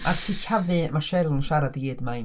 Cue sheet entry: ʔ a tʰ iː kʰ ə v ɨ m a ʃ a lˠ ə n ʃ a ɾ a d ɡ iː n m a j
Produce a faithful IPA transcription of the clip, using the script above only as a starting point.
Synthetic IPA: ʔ a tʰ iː kʰ a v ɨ m a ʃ ɛ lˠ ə n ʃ a ɾ a d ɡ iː d m a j